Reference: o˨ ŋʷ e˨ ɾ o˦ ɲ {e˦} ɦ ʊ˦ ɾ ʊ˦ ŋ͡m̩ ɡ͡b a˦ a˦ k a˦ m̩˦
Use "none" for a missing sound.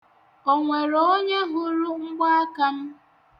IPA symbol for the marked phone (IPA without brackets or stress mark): e˦